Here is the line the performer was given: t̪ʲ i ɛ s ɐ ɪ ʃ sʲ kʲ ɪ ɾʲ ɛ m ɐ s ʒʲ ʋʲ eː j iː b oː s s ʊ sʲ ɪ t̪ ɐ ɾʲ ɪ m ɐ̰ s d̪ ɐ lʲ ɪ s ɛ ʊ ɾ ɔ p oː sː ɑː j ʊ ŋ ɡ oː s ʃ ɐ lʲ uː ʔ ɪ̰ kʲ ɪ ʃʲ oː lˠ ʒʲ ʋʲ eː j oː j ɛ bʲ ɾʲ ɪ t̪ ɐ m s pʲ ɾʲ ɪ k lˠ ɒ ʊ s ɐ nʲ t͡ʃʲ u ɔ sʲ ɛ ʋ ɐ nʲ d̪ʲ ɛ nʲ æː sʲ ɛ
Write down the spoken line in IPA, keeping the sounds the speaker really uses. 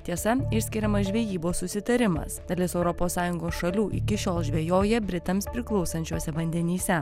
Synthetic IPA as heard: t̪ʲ i ɛ s ɐ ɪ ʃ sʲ kʲ ɪ ɾʲ ɛ m ɐ s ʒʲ ʋʲ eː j iː b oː s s ʊ sʲ ɪ t̪ ɐ ɾʲ ɪ m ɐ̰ s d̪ ɐ lʲ ɪ s ɛ ʊ ɾ ɔ p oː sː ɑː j ʊ ŋ ɡ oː s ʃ ɐ lʲ uː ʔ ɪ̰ kʲ ɪ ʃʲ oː lˠ ʒʲ ʋʲ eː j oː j ɛ bʲ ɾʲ ɪ t̪ ɐ m s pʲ ɾʲ ɪ k lˠ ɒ ʊ s ɐ nʲ t͡ʃʲ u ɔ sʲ ɛ ʋ ɐ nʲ d̪ʲ ɛ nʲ iː sʲ ɛ